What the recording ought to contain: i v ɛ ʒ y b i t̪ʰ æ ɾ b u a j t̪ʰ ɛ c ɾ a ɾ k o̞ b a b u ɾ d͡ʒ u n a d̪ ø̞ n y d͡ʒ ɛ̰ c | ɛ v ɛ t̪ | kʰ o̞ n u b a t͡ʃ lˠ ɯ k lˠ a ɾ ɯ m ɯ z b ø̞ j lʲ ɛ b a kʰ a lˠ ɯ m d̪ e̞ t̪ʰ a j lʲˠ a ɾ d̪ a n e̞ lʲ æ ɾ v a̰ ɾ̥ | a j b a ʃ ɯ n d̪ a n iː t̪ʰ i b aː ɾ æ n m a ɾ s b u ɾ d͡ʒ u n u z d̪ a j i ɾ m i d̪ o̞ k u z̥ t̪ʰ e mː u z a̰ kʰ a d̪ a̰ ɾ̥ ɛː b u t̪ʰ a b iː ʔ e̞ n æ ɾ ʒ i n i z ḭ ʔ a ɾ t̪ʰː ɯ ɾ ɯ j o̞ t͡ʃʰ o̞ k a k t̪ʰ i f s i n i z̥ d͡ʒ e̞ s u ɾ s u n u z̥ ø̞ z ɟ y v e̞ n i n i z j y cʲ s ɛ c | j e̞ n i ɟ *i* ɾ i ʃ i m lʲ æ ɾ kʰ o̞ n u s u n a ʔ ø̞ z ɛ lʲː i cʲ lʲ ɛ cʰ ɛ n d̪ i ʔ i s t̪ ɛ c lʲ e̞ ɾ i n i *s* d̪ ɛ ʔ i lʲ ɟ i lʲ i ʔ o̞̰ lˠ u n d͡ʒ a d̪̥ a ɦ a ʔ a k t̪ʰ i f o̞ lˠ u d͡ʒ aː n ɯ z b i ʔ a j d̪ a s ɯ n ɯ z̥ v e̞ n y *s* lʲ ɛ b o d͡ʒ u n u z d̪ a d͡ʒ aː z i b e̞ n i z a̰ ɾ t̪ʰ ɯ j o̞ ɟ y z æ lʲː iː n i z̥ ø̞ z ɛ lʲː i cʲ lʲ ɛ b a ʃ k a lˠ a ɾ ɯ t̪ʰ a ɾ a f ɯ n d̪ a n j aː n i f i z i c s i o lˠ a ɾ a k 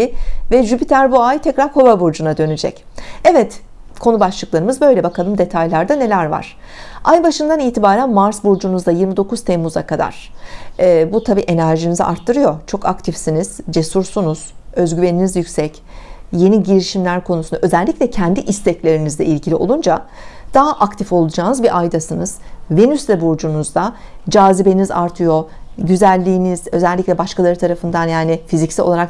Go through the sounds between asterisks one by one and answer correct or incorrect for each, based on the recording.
correct, incorrect, correct

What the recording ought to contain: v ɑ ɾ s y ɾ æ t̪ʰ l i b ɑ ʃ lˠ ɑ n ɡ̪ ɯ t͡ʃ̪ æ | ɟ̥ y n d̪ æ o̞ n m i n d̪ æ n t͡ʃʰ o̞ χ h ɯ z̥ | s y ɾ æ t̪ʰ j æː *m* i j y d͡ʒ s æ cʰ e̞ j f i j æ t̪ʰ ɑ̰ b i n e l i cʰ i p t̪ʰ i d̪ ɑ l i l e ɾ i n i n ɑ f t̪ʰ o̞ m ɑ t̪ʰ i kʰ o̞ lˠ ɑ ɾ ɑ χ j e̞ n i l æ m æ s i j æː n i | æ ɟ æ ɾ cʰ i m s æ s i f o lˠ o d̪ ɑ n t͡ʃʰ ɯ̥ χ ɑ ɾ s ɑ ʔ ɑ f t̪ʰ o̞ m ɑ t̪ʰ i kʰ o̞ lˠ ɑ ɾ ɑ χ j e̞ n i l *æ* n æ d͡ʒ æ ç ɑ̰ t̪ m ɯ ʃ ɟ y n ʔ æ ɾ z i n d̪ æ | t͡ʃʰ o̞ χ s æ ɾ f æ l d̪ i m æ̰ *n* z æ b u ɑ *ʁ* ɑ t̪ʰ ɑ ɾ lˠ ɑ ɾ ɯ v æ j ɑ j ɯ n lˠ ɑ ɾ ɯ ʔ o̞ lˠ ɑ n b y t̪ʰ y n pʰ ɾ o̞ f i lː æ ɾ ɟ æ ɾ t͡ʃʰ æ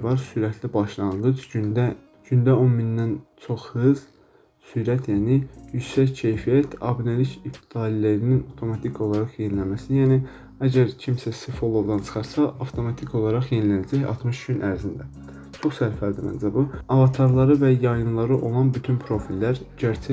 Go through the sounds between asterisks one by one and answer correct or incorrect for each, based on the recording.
incorrect, correct, correct, incorrect

